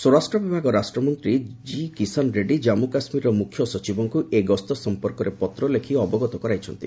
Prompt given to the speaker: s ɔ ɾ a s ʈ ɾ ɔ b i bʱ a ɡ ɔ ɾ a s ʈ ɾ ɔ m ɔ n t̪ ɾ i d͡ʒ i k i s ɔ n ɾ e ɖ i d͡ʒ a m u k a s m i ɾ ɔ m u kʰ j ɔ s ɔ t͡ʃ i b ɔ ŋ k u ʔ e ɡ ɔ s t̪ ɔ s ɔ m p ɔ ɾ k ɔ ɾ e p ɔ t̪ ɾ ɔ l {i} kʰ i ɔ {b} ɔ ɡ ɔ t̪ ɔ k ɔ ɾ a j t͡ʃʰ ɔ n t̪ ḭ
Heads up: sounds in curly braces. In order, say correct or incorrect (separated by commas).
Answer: incorrect, correct